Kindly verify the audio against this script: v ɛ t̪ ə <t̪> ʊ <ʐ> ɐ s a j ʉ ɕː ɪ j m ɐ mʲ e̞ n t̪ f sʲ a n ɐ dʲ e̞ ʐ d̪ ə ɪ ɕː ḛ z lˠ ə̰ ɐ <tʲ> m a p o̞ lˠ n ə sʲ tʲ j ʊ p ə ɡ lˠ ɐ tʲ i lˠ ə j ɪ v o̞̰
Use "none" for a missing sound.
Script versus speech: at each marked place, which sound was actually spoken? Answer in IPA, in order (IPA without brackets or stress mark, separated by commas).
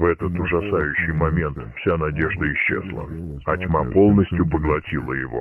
t̪, ʐ, tʲ